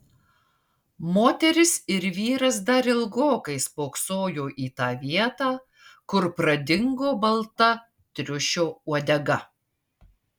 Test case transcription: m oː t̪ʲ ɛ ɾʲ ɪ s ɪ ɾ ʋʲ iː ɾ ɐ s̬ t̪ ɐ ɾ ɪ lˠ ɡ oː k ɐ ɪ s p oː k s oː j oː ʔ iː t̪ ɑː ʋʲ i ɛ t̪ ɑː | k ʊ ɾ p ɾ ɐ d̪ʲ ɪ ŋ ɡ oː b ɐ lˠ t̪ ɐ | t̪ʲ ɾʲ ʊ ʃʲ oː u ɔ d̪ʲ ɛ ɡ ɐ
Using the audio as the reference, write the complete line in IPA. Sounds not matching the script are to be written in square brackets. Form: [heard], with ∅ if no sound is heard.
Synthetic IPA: m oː t̪ʲ ɛ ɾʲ ɪ s ɪ ɾ ʋʲ iː ɾ ɐ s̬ [d̪] ɐ ɾ ɪ lˠ ɡ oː k ɐ ɪ s p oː k s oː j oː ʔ iː t̪ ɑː ʋʲ i ɛ t̪ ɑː | k ʊ ɾ p ɾ ɐ d̪ʲ ɪ ŋ ɡ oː b ɐ lˠ t̪ ɐ | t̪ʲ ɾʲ ʊ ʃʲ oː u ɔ d̪ʲ ɛ ɡ ɐ